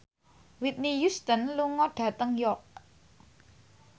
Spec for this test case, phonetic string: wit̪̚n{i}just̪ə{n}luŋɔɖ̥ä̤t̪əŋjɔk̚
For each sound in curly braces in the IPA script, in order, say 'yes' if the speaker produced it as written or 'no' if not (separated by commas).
yes, yes